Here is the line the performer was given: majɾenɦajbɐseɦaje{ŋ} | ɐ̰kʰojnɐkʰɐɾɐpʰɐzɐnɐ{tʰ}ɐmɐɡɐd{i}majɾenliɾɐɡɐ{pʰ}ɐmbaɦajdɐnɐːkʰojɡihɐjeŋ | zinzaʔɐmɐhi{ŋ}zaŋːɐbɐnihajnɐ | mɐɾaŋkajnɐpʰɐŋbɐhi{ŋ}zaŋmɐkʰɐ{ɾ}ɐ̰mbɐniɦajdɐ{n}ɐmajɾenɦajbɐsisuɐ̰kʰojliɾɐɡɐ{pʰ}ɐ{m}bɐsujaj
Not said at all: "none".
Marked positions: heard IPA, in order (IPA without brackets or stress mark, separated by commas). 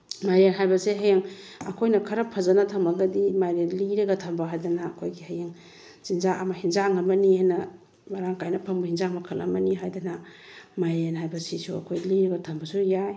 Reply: ŋ, tʰ, i, tʰ, n, n, l, n, tʰ, m